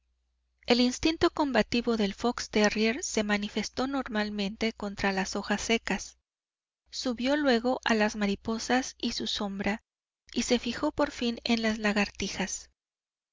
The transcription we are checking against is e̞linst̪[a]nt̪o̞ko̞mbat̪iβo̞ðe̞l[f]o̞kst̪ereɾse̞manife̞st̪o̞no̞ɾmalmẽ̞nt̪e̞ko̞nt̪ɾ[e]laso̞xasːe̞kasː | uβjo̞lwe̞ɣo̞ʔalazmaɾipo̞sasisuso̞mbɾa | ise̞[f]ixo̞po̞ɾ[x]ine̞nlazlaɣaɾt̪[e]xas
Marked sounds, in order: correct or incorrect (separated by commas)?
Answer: incorrect, correct, incorrect, correct, incorrect, incorrect